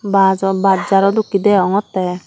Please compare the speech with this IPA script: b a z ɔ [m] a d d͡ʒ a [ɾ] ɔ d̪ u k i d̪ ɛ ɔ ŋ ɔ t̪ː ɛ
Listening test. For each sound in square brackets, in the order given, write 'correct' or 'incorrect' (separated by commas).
incorrect, correct